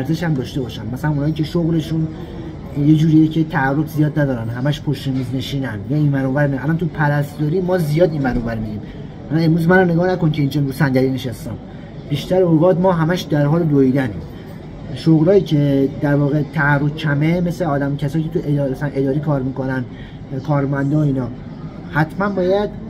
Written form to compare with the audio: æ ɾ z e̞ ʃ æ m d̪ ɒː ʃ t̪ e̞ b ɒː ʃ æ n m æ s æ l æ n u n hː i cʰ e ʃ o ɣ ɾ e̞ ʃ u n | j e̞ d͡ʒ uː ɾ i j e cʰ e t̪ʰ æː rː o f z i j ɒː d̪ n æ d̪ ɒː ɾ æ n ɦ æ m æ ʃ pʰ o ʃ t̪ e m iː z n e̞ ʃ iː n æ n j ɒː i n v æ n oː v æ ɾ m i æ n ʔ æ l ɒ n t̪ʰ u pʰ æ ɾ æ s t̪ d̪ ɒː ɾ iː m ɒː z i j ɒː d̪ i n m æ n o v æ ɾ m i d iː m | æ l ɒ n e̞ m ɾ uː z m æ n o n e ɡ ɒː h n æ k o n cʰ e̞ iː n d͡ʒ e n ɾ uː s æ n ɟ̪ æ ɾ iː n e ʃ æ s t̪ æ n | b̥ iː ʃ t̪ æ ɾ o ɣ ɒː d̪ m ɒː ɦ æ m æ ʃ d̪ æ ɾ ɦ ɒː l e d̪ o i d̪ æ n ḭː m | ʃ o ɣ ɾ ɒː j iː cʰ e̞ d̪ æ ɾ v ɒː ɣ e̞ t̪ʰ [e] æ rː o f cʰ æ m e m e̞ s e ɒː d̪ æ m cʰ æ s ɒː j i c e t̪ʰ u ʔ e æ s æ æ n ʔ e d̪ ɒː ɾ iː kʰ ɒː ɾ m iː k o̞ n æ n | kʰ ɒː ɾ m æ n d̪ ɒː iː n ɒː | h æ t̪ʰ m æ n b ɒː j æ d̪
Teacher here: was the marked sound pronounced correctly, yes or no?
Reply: no